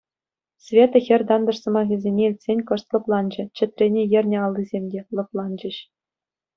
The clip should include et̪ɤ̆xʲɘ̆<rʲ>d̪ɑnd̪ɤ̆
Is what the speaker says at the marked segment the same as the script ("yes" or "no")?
yes